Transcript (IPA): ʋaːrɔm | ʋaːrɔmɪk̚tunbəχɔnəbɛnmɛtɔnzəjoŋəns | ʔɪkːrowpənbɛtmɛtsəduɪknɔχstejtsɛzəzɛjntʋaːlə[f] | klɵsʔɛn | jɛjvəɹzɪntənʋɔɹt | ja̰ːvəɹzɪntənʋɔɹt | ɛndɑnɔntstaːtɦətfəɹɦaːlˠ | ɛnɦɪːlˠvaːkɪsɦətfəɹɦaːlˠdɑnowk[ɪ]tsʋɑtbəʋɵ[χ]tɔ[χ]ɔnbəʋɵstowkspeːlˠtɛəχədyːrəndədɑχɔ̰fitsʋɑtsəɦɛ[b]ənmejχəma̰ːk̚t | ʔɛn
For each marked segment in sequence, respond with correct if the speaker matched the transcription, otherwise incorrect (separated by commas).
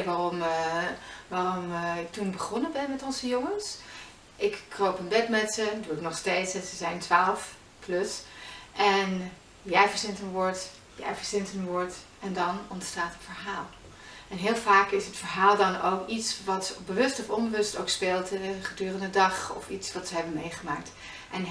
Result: correct, incorrect, incorrect, incorrect, correct